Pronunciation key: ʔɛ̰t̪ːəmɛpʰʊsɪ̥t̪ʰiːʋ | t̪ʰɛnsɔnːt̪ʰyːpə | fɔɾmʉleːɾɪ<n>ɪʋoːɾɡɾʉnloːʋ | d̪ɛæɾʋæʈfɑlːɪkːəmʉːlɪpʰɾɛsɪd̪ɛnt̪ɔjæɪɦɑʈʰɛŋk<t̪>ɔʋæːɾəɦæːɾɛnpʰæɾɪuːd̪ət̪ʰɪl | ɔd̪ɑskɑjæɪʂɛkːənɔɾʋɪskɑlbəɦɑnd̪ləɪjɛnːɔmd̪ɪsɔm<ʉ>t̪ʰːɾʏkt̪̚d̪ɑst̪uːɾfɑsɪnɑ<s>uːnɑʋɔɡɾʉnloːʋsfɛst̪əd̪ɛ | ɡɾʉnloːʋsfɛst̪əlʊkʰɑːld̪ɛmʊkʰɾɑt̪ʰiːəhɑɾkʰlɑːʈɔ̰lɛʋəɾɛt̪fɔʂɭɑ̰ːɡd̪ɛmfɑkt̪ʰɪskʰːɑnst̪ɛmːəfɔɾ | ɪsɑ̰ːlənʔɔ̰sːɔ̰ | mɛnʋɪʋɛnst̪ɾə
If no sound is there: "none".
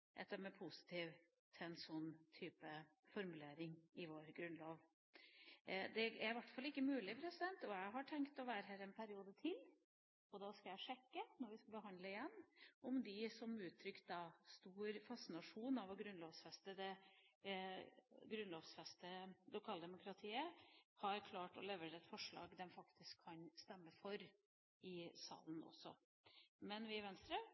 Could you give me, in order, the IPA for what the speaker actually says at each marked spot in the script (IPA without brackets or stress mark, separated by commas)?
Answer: ŋ, t̪, ʉː, ʂ